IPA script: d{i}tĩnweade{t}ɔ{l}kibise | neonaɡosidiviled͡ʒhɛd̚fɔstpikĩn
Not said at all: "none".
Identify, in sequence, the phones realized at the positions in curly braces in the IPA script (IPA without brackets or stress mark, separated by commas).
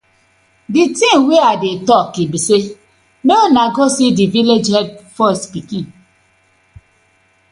i, t, none